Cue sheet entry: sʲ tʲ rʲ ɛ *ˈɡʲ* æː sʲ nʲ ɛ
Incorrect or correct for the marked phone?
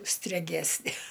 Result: correct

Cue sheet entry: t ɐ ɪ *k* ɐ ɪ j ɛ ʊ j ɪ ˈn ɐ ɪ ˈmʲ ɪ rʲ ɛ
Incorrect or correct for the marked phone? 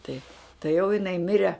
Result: incorrect: t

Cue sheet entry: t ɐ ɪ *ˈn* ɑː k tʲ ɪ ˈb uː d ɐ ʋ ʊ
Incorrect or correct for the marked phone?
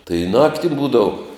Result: correct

